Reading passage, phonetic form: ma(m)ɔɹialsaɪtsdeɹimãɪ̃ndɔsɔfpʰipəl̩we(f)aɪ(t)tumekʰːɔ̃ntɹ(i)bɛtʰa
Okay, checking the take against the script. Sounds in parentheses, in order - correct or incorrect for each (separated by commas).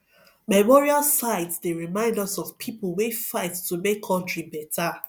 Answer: correct, correct, correct, correct